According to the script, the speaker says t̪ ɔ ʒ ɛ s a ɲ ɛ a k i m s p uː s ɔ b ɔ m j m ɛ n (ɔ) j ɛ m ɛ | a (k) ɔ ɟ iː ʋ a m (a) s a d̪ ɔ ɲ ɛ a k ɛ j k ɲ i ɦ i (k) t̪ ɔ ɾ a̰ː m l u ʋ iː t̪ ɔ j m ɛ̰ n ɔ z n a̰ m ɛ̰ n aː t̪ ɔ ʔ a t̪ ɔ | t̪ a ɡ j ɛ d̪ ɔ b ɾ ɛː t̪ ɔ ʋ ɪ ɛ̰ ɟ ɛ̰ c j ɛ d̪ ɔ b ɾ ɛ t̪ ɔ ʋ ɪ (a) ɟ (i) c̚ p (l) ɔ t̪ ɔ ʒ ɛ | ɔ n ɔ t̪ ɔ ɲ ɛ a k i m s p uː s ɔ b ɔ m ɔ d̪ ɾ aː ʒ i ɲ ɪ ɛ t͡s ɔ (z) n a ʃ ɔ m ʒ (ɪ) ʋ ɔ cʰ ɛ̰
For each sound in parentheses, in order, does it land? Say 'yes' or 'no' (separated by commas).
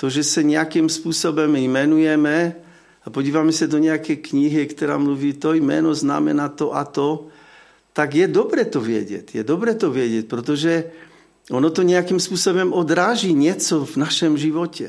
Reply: no, no, no, yes, no, no, no, no, no